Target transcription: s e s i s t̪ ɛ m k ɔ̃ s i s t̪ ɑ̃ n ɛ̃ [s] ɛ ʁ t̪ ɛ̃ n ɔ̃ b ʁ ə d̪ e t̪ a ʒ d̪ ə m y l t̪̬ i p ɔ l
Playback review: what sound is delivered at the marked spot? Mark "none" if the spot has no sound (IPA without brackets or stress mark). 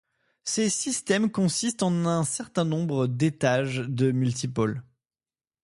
s